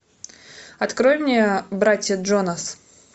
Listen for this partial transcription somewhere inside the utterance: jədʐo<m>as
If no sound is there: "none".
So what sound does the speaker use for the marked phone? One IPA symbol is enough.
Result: n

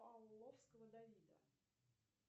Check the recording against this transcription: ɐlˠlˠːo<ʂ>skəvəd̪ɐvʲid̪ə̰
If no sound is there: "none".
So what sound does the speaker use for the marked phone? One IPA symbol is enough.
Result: f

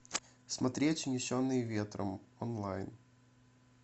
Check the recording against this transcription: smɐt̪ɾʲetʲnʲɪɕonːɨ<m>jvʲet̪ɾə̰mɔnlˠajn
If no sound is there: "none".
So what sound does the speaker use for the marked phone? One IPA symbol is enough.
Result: none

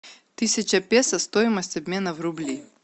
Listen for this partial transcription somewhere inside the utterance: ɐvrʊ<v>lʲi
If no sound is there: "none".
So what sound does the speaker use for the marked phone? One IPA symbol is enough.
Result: b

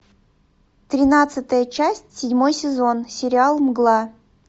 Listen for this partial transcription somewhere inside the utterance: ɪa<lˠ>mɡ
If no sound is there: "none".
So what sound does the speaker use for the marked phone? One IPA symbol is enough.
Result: lˠ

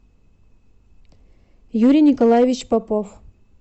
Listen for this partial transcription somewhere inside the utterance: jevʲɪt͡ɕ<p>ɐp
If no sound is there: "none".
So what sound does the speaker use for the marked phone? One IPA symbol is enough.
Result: p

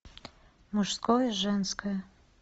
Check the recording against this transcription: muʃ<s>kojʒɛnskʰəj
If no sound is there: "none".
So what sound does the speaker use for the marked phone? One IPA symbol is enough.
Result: s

